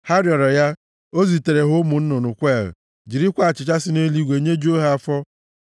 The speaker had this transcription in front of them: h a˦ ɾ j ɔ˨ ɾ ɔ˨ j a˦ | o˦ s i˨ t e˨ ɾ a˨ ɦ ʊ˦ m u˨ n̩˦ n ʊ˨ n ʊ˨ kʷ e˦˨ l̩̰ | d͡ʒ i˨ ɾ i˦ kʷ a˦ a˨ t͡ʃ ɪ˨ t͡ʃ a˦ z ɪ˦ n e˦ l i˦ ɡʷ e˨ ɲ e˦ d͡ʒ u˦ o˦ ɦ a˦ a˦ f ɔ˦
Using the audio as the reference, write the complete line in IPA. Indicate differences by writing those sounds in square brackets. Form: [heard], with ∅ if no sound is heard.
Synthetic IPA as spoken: h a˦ ɾ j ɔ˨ ɾ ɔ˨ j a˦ | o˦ [z] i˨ t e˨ ɾ [e˨] ɦ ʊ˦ m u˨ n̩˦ n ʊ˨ n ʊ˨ kʷ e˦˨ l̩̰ | d͡ʒ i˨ ɾ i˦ kʷ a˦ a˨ t͡ʃ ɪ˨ t͡ʃ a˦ [s] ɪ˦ n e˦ l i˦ ɡʷ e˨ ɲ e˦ d͡ʒ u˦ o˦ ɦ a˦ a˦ f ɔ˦

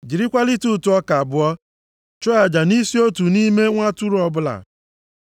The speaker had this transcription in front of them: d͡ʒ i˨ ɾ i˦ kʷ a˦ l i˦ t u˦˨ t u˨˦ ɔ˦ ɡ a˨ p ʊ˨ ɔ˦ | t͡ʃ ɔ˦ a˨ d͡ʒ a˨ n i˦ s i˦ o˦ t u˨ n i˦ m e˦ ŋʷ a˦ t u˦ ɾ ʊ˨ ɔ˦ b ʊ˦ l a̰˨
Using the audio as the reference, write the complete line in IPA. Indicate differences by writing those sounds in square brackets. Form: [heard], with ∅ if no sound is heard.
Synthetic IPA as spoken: d͡ʒ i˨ ɾ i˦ kʷ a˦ l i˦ t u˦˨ t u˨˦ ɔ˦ [k] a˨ [b] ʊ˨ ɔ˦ | t͡ʃ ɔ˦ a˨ d͡ʒ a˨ n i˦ s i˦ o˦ t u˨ n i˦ m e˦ ŋʷ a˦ t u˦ ɾ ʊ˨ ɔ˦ b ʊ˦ l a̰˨

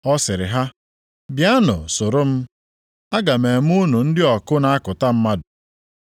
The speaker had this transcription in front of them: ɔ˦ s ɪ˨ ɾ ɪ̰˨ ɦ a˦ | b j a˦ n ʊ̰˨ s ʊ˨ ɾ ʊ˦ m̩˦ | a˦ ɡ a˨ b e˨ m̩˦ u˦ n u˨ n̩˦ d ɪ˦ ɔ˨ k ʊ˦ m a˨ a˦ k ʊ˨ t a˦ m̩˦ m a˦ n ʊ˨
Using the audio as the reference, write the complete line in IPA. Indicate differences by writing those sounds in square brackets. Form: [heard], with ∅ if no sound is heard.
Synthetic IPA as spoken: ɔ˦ s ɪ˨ ɾ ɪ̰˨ ɦ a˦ | b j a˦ n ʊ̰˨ s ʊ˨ ɾ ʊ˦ m̩˦ | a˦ ɡ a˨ [m] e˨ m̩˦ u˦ n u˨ n̩˦ d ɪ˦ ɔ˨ k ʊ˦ [n] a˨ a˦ k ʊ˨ t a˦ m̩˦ m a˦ [d] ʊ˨

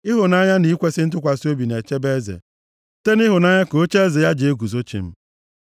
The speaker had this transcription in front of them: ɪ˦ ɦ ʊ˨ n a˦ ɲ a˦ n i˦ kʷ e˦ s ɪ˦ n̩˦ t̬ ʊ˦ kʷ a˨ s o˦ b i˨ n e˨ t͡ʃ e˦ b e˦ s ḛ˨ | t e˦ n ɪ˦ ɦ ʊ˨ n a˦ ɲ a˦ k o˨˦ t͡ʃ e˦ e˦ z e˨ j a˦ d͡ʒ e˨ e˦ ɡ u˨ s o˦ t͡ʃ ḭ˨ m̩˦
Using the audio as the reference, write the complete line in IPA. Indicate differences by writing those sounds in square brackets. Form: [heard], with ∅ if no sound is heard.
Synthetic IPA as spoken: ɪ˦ ɦ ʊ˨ n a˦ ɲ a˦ n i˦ kʷ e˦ s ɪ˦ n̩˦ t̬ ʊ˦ kʷ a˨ s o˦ b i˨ n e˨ t͡ʃ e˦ b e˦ [z] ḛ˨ | t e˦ n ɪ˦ ɦ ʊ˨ n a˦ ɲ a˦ k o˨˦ t͡ʃ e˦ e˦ z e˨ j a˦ d͡ʒ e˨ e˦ ɡ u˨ [z] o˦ t͡ʃ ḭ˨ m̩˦

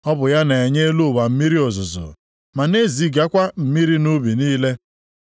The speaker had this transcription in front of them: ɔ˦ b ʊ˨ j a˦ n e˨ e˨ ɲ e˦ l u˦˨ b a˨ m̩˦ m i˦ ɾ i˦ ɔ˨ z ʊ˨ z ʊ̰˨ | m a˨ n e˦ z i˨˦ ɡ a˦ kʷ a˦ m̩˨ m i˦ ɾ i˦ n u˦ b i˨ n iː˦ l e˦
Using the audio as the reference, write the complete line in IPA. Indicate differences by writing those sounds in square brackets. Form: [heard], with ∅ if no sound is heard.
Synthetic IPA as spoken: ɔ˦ b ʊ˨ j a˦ n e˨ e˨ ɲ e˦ l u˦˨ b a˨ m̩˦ m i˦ ɾ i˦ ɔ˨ z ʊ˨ z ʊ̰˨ | m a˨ n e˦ z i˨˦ ɡ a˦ kʷ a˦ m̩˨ m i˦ ɾ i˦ n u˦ b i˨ n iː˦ l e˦

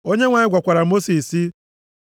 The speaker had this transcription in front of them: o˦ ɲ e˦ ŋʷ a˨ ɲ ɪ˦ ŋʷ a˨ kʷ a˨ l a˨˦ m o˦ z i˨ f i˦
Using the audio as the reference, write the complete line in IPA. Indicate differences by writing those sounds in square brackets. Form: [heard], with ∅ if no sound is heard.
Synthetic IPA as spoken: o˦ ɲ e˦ ŋʷ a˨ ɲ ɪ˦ [ɡʷ] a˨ kʷ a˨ [ɾ] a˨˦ m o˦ [s] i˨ [s] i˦

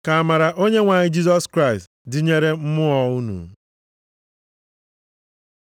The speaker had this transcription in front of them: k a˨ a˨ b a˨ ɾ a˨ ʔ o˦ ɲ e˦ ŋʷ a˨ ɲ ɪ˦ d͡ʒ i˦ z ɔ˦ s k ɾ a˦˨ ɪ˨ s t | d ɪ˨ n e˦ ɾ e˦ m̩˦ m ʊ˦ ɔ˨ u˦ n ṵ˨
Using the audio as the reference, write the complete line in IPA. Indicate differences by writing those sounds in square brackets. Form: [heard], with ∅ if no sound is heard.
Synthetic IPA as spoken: k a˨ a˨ [m] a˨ ɾ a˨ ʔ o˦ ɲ e˦ ŋʷ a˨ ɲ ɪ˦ d͡ʒ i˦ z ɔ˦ s k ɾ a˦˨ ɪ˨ s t | d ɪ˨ [ɲ] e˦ ɾ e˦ m̩˦ m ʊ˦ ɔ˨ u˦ n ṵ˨

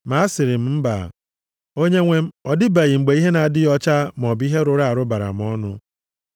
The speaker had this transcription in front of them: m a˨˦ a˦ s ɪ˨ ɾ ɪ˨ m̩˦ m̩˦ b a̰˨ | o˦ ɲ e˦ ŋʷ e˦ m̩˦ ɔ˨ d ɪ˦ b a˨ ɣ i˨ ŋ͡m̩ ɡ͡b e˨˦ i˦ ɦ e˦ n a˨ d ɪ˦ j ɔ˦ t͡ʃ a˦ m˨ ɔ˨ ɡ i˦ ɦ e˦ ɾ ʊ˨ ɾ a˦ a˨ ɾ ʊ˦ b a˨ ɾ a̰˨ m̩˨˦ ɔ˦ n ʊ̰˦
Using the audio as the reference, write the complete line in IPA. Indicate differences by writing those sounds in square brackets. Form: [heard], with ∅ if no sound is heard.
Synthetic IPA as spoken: m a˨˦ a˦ s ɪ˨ ɾ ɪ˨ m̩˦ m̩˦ b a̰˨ | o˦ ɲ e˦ ŋʷ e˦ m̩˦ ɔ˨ d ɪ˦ b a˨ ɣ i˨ ŋ͡m̩ ɡ͡b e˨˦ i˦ ɦ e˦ n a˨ d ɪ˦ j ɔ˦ t͡ʃ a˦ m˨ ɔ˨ [b] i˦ ɦ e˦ ɾ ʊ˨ ɾ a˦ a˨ ɾ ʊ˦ b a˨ ɾ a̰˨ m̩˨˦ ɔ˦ n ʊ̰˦

